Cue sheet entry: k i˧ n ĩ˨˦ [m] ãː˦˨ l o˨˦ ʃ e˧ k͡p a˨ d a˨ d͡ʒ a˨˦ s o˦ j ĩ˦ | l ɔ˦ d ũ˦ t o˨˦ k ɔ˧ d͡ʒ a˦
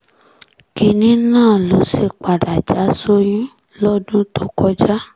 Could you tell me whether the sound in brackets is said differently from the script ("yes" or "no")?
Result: yes